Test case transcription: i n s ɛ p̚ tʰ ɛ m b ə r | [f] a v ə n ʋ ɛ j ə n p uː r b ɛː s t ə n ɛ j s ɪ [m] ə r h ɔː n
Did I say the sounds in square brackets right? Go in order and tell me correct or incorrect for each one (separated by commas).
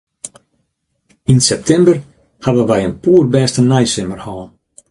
incorrect, correct